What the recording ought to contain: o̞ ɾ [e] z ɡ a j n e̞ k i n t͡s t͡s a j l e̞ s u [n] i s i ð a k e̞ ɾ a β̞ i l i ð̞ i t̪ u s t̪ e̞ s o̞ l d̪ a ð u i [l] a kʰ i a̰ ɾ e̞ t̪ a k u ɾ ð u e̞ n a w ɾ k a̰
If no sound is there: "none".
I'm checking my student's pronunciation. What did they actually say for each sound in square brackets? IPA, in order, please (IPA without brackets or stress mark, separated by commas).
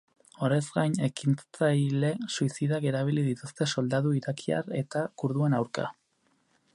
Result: e, none, ɾ